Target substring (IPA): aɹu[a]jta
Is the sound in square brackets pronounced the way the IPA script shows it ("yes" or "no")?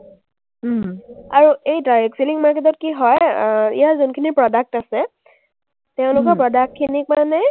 no